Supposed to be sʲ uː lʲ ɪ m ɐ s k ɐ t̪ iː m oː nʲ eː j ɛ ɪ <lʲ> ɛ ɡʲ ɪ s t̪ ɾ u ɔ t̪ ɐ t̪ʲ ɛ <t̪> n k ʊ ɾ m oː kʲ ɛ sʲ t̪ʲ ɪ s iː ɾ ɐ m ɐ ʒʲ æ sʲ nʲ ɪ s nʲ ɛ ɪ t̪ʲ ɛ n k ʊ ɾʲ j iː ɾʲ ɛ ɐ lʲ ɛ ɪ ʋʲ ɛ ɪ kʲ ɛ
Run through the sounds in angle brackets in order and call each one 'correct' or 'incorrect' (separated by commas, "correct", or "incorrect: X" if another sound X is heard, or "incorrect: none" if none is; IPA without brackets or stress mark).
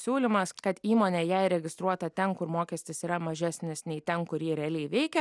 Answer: incorrect: ɾʲ, incorrect: none